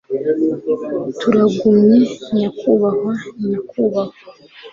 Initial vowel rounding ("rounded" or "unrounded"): rounded